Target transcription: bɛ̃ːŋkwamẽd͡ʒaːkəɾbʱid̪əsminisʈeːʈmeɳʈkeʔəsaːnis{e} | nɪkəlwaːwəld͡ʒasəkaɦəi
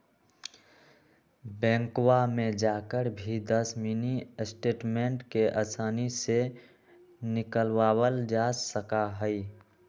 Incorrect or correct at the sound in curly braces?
correct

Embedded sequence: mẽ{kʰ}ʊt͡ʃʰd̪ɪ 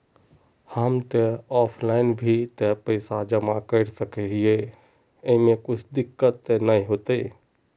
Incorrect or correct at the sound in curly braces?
incorrect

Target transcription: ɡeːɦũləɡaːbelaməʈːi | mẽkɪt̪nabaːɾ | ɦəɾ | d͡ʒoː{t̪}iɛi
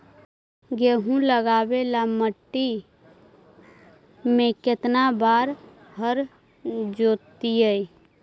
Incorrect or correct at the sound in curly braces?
correct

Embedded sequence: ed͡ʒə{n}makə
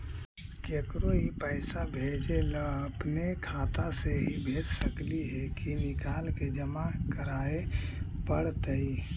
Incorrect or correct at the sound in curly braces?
incorrect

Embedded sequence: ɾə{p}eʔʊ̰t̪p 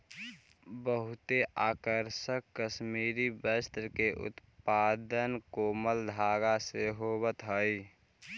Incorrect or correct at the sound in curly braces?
incorrect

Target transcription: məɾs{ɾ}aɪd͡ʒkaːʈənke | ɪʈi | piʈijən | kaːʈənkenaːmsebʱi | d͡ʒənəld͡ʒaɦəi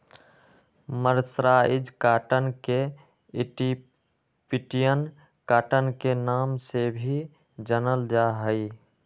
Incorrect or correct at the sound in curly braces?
correct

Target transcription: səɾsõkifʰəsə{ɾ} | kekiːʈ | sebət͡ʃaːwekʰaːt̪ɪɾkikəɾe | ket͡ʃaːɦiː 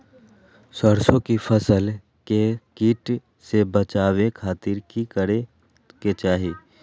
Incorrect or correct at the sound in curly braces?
incorrect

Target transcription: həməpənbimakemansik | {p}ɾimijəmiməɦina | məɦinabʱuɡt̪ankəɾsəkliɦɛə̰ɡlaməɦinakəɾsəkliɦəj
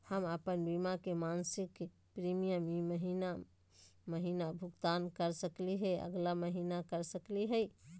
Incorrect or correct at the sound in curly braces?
correct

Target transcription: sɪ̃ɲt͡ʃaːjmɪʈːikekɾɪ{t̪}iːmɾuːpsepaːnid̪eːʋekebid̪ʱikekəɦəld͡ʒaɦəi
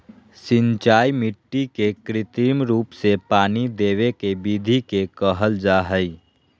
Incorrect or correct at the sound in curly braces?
correct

